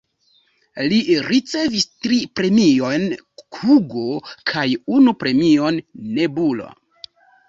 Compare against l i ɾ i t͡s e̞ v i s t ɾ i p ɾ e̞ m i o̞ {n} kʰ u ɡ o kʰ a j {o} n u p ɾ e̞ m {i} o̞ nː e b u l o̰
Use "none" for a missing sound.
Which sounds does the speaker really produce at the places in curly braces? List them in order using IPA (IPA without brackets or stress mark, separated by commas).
n, u, i